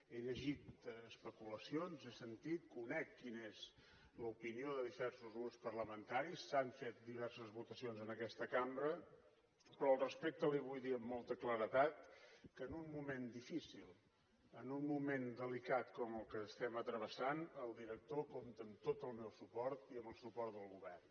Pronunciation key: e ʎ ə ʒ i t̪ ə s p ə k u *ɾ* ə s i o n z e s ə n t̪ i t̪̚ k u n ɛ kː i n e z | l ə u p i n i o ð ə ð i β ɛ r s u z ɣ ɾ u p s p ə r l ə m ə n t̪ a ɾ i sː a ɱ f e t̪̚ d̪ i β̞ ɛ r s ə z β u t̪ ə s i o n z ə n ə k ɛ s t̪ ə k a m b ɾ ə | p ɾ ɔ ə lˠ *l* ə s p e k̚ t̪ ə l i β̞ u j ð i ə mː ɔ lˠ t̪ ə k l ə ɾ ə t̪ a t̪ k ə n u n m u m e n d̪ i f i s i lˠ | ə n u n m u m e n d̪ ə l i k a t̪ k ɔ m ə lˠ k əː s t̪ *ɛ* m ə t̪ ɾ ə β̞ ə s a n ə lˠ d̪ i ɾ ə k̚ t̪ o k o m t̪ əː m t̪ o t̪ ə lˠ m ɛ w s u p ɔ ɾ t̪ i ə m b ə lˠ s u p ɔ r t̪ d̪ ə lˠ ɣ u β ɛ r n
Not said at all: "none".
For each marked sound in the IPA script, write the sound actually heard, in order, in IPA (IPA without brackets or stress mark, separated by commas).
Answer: l, r, ɛ